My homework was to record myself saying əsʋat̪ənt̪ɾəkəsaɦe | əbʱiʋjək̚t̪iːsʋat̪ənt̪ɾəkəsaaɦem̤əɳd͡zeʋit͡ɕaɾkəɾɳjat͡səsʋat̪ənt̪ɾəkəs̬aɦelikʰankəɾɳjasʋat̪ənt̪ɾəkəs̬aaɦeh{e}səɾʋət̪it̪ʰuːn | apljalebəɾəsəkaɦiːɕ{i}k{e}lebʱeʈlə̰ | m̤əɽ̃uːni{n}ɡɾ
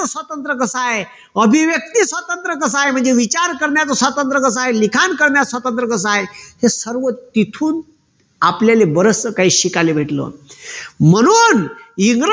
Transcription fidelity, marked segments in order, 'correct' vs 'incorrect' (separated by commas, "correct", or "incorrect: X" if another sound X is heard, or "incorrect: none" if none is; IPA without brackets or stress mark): correct, correct, incorrect: a, incorrect: ŋ